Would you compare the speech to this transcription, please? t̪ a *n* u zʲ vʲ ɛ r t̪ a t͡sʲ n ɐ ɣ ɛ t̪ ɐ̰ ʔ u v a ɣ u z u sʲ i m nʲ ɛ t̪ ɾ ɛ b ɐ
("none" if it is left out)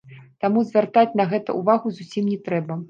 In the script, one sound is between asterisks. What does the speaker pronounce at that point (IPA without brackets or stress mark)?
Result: m